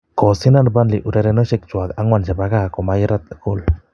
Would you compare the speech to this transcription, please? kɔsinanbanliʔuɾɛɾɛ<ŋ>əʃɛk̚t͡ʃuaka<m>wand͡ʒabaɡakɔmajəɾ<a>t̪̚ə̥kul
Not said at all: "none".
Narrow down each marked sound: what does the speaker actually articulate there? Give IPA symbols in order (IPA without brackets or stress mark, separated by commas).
n, ŋ, a